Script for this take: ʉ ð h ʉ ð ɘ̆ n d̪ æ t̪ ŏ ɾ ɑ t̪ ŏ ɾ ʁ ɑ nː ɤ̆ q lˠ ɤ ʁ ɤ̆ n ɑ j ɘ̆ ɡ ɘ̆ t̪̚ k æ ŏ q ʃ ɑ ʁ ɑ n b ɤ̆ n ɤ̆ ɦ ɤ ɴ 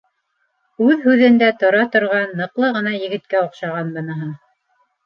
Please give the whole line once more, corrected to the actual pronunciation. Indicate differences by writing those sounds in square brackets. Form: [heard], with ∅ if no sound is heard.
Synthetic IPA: ʉ ð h ʉ ð ɘ̆ n d̪ æ t̪ ŏ ɾ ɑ t̪ ŏ ɾ ʁ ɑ nː ɤ̆ q lˠ ɤ ʁ ɤ̆ n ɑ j ɘ̆ ɡ ɘ̆ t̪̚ k æ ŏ q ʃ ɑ ʁ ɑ n b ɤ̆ n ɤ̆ ɦ ɤ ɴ